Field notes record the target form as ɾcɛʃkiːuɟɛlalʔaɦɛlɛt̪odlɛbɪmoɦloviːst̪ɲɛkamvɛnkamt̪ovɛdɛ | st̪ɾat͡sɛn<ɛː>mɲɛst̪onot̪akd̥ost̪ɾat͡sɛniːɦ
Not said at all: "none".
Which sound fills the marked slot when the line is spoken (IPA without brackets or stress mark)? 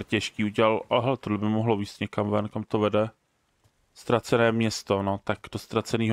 ɛː